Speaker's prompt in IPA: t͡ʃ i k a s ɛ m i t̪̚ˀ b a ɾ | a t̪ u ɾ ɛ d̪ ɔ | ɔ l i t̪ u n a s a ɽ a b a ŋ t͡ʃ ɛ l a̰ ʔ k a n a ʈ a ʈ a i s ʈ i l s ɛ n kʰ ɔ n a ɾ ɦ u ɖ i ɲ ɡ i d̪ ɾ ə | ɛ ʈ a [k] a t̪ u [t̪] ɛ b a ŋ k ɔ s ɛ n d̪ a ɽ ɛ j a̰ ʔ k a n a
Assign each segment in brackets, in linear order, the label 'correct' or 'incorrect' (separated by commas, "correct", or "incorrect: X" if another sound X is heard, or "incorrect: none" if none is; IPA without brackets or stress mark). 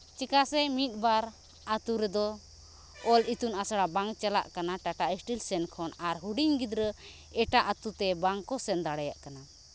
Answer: incorrect: ʔ, correct